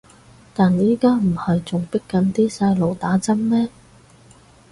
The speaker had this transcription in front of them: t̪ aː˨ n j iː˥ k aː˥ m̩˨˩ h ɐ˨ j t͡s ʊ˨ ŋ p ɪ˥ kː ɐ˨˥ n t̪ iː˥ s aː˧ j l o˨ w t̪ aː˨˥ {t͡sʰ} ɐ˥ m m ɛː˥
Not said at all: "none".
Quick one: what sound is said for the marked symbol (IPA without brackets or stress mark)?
t͡s